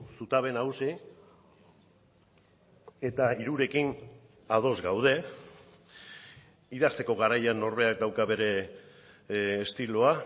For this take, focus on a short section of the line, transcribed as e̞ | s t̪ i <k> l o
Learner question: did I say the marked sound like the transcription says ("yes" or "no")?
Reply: no